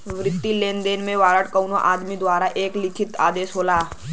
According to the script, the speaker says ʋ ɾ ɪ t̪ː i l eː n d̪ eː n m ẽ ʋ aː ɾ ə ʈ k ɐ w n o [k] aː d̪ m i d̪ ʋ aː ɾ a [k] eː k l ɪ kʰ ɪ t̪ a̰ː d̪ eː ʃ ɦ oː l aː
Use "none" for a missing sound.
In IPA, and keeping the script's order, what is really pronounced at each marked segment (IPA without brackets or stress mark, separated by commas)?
ʔ, ʔ